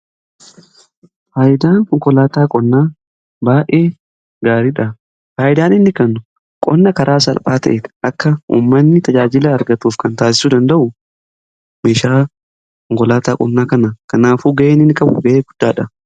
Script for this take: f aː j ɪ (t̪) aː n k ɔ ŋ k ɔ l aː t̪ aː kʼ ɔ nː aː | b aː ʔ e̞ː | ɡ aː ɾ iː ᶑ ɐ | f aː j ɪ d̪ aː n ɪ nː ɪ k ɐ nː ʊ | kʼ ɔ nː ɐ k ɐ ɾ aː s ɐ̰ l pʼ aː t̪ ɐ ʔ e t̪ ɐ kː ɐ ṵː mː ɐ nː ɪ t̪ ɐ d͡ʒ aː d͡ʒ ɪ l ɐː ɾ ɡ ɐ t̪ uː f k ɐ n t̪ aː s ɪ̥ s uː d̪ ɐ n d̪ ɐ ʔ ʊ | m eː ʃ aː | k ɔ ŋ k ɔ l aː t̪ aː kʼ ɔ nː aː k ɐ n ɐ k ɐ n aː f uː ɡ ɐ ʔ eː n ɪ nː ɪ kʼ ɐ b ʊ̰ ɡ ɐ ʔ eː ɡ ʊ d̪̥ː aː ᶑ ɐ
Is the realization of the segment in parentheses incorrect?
yes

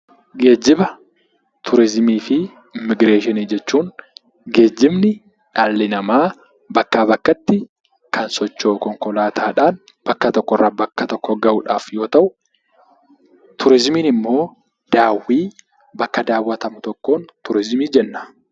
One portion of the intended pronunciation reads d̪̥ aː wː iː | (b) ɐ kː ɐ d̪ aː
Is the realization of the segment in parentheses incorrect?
no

